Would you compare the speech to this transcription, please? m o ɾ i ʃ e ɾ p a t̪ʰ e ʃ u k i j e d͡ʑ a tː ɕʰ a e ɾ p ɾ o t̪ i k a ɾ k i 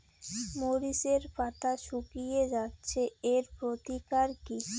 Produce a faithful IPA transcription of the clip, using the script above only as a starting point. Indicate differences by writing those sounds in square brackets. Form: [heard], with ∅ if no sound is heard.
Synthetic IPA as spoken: m o ɾ i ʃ e ɾ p a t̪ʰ [a] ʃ u k i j e d͡ʑ a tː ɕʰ [e] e ɾ p ɾ o t̪ i k a ɾ k i